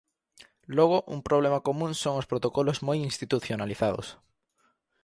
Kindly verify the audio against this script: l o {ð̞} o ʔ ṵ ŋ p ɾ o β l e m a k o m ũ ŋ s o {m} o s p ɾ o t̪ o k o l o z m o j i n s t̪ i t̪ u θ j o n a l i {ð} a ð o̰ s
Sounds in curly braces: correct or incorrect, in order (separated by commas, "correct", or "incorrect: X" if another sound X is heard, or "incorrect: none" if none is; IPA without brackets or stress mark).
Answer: incorrect: ɣ̞, incorrect: ŋ, incorrect: θ